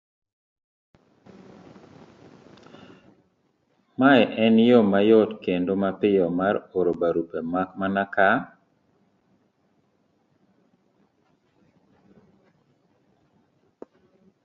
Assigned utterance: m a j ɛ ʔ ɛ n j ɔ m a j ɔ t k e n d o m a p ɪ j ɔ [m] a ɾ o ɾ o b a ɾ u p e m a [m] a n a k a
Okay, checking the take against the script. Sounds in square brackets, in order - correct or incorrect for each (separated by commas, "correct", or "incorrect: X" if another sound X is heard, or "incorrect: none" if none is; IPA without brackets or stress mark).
correct, correct